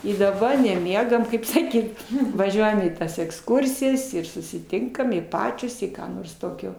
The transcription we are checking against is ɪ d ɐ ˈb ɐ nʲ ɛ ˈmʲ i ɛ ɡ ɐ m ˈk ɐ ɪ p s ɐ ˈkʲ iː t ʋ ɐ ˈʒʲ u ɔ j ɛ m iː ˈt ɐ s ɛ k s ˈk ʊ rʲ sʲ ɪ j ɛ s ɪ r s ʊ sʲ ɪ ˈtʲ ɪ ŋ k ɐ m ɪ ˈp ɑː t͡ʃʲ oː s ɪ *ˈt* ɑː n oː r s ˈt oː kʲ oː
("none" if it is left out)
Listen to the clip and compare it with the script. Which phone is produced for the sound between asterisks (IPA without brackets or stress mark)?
k